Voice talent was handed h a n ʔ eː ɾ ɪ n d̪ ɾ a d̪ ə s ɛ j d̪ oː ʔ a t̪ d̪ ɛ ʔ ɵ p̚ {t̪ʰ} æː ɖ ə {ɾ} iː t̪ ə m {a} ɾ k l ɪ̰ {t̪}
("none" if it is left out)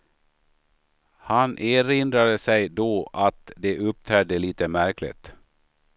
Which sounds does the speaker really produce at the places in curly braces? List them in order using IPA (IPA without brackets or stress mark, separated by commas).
t̪ʰ, l, æ, t̪